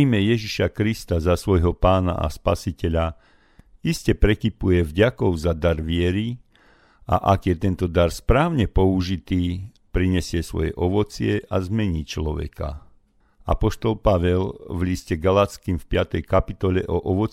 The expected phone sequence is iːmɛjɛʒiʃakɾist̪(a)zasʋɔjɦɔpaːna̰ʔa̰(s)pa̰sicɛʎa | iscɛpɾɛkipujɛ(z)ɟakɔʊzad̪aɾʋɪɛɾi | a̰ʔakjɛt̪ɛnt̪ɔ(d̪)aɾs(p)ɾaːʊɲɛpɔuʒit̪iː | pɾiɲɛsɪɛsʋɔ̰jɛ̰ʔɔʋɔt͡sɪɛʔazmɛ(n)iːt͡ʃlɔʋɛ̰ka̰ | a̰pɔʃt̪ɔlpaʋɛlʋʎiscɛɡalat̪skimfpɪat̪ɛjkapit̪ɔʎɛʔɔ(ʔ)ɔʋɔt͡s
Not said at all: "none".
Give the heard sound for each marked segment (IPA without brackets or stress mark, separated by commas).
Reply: a, s, v, d̪, p, ɲ, ʔ